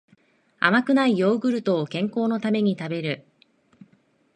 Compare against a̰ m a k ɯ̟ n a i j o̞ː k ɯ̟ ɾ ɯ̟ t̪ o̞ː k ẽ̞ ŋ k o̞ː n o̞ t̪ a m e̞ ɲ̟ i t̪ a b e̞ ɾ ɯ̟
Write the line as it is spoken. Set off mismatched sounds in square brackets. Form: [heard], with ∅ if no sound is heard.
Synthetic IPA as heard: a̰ m a k ɯ̟ n a i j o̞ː [ɡ] ɯ̟ ɾ ɯ̟ t̪ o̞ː k ẽ̞ ŋ k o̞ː n o̞ t̪ a m e̞ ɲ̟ i t̪ a b e̞ ɾ ɯ̟